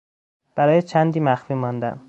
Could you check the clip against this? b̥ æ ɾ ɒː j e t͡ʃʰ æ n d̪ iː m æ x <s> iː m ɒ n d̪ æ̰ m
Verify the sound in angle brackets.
incorrect: f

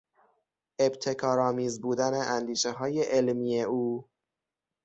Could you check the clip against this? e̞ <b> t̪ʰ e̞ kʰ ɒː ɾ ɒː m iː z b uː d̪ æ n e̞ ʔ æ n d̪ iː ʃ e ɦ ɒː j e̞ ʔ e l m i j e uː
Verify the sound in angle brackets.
correct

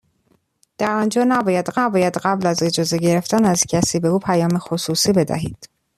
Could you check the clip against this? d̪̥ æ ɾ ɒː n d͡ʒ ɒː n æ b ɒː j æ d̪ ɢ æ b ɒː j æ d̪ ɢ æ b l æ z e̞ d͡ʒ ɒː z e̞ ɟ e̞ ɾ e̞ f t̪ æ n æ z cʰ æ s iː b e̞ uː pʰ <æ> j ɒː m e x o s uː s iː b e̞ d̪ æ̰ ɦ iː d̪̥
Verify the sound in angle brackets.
correct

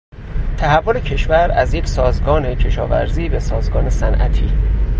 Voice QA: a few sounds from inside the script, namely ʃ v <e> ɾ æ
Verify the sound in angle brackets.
incorrect: æ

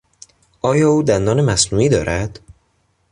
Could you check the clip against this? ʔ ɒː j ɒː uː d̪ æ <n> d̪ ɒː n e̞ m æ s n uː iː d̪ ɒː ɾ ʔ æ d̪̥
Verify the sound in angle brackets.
correct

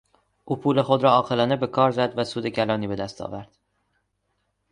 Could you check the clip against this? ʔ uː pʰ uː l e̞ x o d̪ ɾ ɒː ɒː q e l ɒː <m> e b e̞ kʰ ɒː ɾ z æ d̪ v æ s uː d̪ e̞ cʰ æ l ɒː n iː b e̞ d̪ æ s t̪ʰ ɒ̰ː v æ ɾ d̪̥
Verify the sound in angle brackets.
incorrect: n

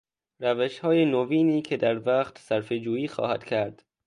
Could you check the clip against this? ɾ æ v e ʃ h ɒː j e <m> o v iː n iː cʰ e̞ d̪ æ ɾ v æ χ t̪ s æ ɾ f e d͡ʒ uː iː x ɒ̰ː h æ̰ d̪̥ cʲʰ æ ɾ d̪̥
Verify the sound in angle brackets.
incorrect: n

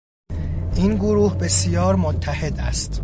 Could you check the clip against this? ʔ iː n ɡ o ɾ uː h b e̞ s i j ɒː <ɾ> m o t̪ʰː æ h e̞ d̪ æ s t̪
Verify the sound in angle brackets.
correct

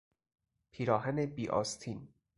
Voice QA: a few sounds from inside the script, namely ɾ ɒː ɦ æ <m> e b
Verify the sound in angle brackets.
incorrect: n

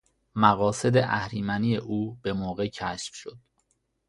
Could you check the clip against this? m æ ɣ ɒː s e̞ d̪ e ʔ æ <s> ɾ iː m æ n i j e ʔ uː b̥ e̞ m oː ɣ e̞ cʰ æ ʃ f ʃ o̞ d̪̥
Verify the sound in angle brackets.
incorrect: h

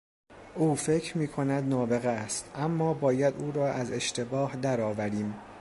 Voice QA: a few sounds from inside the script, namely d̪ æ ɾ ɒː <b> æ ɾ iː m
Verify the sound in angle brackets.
incorrect: v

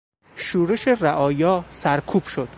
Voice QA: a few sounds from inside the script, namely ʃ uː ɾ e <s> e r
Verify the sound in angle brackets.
incorrect: ʃ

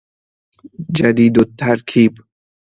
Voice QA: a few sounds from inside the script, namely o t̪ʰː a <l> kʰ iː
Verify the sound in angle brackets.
incorrect: ɾ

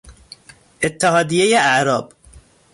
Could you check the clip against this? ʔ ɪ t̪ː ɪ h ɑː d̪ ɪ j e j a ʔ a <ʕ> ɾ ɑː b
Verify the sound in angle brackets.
correct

